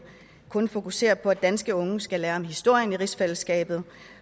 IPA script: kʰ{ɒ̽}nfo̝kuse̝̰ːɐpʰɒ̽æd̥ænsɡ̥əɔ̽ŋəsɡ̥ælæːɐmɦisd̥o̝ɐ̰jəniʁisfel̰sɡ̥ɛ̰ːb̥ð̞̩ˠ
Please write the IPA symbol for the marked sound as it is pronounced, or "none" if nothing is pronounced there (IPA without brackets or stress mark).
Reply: ɔ̽